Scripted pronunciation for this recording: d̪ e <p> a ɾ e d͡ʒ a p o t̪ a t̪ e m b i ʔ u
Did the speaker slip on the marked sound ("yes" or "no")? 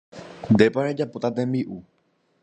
no